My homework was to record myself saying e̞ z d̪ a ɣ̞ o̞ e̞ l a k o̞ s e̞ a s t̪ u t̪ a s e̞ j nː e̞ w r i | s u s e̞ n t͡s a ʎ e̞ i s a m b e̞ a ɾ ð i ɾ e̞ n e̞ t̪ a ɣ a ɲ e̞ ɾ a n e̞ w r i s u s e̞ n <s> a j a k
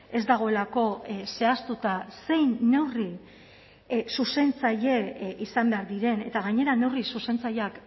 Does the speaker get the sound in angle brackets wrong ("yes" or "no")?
yes